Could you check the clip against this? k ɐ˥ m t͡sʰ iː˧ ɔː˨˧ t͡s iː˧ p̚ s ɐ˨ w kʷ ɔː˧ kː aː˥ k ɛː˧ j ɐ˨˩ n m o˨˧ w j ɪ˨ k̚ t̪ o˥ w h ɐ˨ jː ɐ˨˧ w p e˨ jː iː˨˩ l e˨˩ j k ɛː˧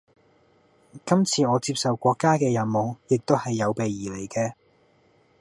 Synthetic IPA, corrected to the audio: k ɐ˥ m t͡sʰ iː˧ ɔː˨˧ t͡s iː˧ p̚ s ɐ˨ w kʷ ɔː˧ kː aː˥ k ɛː˧ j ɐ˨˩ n m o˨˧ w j ɪ˨ k̚ t̪ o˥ w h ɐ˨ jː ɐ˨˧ w p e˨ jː iː˨˩ l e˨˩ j k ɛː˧